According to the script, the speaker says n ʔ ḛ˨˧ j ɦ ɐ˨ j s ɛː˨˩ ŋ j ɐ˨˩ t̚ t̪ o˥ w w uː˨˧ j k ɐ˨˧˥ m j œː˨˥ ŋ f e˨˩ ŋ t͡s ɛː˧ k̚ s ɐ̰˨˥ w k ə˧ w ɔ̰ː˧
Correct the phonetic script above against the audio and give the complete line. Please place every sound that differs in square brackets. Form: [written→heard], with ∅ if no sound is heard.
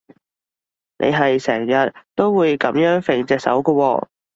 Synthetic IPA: n ʔ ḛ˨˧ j ɦ ɐ˨ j s ɛː˨˩ ŋ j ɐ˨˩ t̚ t̪ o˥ w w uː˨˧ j k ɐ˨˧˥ m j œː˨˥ ŋ f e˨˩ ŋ t͡s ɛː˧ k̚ s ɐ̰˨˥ w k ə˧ w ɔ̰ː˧